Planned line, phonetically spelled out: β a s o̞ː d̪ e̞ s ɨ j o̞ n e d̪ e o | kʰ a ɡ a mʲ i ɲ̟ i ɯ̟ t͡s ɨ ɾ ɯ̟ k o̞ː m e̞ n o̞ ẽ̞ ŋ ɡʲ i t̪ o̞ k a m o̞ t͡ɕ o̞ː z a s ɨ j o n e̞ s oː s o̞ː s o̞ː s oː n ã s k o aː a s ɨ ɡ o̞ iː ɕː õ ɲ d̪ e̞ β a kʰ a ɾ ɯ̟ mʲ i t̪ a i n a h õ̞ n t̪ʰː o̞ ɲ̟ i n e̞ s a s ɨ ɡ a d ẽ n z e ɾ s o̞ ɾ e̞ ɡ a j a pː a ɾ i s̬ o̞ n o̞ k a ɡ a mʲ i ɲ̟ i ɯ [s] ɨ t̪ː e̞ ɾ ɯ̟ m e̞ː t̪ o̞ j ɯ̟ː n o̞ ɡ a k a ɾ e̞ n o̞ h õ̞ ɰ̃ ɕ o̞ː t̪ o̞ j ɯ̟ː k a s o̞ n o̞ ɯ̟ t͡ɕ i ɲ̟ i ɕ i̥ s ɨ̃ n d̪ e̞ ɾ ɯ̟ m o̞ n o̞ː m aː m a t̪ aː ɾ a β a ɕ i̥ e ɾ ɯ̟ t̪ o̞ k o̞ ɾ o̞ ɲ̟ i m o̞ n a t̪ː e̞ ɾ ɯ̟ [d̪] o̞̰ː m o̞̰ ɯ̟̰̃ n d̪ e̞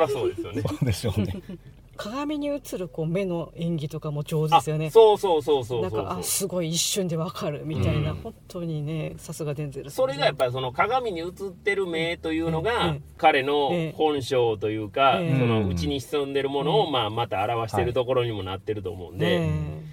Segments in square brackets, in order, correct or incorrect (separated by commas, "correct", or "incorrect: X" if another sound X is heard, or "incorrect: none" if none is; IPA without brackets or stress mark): incorrect: t͡s, incorrect: t̪